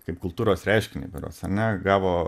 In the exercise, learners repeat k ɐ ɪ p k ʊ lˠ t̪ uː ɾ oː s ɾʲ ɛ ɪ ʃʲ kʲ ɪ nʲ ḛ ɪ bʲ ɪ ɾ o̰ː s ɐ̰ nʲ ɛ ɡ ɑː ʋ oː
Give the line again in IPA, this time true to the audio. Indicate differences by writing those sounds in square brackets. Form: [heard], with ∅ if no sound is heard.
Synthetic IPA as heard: k ɐ ɪ p k ʊ lˠ t̪ uː ɾ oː s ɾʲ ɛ ɪ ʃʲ kʲ ɪ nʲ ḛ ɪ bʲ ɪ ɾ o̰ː s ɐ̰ nʲ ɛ ɡ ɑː ʋ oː